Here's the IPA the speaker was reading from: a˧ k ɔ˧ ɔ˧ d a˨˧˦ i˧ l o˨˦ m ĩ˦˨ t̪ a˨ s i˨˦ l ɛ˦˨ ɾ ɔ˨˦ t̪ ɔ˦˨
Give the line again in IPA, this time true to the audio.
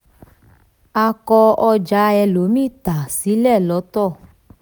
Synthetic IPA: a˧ k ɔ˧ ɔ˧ d͡ʒ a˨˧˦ ɛ˧ l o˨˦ m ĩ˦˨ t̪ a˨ s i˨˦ l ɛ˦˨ l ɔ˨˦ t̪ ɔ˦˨